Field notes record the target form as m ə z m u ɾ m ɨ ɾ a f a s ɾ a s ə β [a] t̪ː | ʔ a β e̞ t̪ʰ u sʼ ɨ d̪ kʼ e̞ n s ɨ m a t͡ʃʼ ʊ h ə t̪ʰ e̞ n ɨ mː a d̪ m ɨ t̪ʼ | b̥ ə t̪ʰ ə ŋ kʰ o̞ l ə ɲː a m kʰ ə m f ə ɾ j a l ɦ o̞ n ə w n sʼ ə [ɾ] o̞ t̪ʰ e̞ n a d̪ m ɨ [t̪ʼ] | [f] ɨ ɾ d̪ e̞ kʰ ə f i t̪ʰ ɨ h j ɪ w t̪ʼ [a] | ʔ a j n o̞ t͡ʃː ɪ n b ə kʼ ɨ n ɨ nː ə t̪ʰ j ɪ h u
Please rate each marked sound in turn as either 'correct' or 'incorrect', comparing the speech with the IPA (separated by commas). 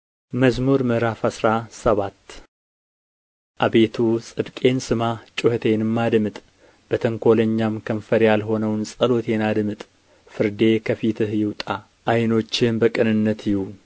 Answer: correct, incorrect, correct, correct, correct